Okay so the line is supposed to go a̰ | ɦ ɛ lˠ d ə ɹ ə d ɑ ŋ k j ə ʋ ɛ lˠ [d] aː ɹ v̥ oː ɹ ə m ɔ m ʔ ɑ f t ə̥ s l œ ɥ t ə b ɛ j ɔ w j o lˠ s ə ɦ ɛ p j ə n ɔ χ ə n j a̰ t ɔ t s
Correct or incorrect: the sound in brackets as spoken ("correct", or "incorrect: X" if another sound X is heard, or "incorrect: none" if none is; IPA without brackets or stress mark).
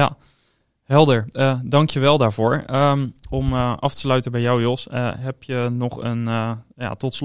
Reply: correct